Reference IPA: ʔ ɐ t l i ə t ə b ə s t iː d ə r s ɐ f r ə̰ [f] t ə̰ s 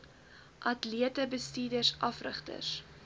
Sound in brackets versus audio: incorrect: χ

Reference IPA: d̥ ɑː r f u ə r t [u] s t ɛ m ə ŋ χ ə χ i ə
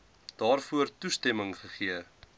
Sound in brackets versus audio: correct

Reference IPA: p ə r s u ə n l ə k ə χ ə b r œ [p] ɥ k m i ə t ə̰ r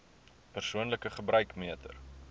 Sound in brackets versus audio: incorrect: none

